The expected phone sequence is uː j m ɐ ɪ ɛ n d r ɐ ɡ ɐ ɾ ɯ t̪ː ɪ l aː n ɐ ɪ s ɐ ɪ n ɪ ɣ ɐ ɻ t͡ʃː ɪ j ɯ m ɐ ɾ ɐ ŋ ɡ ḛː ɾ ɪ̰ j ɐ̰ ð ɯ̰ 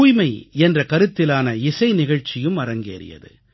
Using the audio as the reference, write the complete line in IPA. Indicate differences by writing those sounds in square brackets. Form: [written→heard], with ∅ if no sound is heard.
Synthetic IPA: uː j m ɐ ɪ ɛ n d r ɐ [ɡ→k] ɐ ɾ ɯ t̪ː ɪ l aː n ɐ ɪ s ɐ ɪ n ɪ ɣ ɐ ɻ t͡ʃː ɪ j ɯ m ɐ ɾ ɐ ŋ ɡ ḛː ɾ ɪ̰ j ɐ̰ ð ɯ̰